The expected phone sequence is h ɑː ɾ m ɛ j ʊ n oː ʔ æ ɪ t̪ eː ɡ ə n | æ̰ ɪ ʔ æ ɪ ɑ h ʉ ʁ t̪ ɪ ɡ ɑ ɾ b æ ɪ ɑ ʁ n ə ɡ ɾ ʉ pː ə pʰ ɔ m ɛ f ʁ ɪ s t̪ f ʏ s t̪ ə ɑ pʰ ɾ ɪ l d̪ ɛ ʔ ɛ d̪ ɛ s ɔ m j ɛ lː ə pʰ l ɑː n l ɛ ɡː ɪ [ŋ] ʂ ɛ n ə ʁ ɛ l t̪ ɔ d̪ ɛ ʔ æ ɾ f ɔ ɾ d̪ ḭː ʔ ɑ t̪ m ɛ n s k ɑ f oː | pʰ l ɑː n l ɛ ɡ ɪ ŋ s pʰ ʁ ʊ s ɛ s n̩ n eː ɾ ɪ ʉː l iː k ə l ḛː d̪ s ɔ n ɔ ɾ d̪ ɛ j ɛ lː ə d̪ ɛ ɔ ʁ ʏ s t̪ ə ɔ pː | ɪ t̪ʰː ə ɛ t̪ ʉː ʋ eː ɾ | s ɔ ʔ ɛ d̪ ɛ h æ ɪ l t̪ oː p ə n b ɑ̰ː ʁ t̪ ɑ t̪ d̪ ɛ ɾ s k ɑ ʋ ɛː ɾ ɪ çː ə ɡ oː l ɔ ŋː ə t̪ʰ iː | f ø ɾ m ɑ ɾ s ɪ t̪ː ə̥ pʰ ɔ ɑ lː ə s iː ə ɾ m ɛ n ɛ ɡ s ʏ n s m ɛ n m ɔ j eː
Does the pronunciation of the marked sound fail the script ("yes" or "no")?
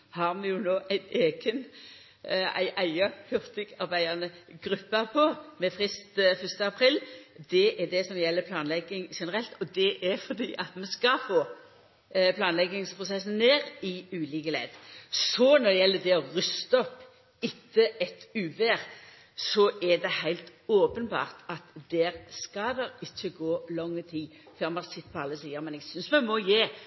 no